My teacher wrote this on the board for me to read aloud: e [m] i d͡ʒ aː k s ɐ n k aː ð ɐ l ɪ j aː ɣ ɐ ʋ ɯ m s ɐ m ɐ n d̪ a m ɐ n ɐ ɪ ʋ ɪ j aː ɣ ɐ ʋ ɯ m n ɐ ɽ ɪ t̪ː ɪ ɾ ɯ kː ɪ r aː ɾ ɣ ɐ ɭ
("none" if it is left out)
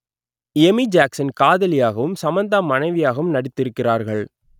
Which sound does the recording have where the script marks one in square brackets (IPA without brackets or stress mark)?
m